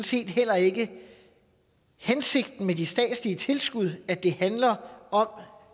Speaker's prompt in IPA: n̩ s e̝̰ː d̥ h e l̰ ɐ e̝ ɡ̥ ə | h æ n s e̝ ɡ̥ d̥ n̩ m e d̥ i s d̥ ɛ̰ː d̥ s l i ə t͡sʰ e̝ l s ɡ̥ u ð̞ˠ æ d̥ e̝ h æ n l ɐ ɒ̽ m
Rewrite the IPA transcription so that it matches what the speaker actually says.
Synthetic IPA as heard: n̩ s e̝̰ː d̥ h e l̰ ɐ e̝ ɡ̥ ə | h e n s e̝ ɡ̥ d̥ n̩ m e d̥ i s d̥ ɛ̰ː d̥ s l i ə t͡sʰ e̝ l s ɡ̥ u ð̞ˠ æ d̥ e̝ h æ n l ɐ ɒ̽ m